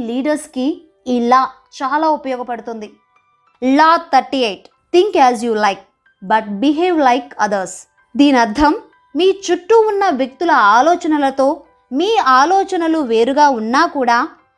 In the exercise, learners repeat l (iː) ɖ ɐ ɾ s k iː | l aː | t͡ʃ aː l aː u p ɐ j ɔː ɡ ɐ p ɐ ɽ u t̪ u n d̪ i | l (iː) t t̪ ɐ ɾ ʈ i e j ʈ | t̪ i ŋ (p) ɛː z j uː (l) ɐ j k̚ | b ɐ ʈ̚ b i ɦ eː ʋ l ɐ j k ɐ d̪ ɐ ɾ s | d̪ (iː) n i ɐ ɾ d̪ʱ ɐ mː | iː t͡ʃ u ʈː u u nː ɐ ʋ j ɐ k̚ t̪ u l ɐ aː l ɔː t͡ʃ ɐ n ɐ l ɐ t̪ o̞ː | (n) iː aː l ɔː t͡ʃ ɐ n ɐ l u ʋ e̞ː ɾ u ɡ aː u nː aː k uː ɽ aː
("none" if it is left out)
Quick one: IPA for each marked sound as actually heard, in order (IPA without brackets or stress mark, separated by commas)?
iː, aː, k, l, iː, m